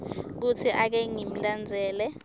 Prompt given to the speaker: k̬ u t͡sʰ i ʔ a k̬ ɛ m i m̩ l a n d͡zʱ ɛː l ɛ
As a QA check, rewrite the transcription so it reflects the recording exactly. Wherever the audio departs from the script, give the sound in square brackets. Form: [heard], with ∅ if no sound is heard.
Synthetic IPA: k̬ u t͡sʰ i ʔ a k̬ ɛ [ŋ] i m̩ l a n d͡zʱ ɛː l ɛ